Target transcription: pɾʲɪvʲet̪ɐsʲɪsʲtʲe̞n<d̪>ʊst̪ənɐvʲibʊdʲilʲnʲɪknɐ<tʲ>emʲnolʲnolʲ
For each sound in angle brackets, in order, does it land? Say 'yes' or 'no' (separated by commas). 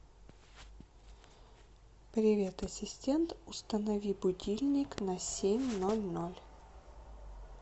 no, no